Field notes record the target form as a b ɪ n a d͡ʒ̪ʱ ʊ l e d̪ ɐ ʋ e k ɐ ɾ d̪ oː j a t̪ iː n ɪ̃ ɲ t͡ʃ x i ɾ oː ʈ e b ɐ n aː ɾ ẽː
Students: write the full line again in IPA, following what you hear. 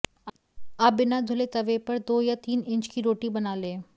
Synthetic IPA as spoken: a b ɪ n a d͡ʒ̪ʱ ʊ l e t̪ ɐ ʋ e p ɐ ɾ d̪ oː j a t̪ iː n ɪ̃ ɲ t͡ʃ k i ɾ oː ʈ i b ɐ n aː l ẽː

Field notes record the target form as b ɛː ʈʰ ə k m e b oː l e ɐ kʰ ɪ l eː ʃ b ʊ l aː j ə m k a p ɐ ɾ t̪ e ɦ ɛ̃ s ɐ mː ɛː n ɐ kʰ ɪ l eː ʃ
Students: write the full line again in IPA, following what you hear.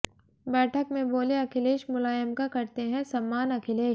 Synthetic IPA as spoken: b ɛː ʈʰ ə k m ẽ b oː l e ɐ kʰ ɪ l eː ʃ m ʊ l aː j ə m k a k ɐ ɾ t̪ e ɦ ɛ̃ s ɐ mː aː n ɐ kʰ ɪ l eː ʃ

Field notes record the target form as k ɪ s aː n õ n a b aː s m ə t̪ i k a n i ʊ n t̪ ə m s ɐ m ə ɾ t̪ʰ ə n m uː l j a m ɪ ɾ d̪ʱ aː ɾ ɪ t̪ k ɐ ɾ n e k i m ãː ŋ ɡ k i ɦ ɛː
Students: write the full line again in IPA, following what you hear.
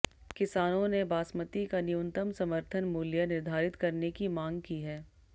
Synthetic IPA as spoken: k ɪ s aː n õ n e b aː s m ə t̪ i k a n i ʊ n t̪ ə m s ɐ m ə ɾ t̪ʰ ə n m uː l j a n ɪ ɾ d̪ʱ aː ɾ ɪ t̪ k ɐ ɾ n e k i m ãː ŋ ɡ k i ɦ ɛː

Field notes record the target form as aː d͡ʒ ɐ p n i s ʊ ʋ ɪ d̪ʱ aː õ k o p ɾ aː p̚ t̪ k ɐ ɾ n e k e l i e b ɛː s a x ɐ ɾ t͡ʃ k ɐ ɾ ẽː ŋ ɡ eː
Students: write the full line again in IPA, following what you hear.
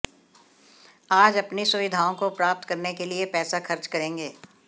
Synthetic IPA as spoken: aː d͡ʒ ɐ p n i s ʊ ʋ ɪ d̪ʱ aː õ k o p ɾ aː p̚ t̪ k ɐ ɾ n e k e l i e p ɛː s a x ɐ ɾ t͡ʃ k ɐ ɾ ẽː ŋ ɡ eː

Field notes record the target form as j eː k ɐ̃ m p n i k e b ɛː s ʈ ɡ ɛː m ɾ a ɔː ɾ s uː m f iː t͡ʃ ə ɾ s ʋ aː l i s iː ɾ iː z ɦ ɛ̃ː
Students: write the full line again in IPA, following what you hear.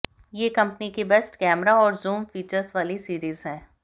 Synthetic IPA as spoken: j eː k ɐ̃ m p n i k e b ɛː s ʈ k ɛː m ɾ a ɔː ɾ z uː m f iː t͡ʃ ə ɾ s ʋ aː l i s iː ɾ iː z ɦ ɛ̃ː

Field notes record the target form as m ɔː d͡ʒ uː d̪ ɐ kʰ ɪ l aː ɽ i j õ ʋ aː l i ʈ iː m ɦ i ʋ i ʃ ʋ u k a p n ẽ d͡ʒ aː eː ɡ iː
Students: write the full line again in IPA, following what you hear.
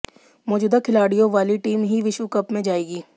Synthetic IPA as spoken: m ɔː d͡ʒ uː d̪ a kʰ ɪ l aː ɽ i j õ ʋ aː l i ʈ iː m ɦ i ʋ ɪ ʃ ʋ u k ɐ p m ẽ d͡ʒ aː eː ɡ iː

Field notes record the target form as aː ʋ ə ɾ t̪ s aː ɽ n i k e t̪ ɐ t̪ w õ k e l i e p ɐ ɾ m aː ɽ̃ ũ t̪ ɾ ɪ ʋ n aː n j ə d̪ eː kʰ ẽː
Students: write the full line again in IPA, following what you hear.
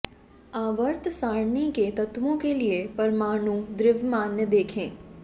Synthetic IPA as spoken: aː ʋ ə ɾ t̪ s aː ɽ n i k e t̪ ɐ t̪ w õ k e l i e p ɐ ɾ m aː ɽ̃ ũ d̪ ɾ ɪ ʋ m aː n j ə d̪ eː kʰ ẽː

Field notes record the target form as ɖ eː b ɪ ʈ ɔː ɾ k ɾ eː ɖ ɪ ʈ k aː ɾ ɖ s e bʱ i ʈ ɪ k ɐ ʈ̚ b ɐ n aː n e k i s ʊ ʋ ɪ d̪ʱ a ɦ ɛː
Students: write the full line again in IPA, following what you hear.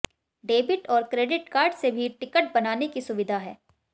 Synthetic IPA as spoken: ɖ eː b ɪ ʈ ɔː ɾ k ɾ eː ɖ ɪ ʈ k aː ɾ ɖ s e bʱ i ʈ ɪ k ə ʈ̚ b ɐ n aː n e k i s ʊ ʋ ɪ d̪ʱ a ɦ ɛː

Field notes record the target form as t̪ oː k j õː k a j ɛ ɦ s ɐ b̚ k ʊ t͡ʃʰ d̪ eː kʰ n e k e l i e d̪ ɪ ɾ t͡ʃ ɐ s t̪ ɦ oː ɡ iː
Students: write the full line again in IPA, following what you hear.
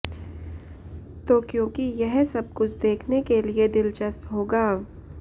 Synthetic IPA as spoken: t̪ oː k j õː k i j ɛ ɦ s ɐ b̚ k ʊ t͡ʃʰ d̪ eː kʰ n e k e l i e d̪ ɪ l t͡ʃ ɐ s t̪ ɦ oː ɡ aː

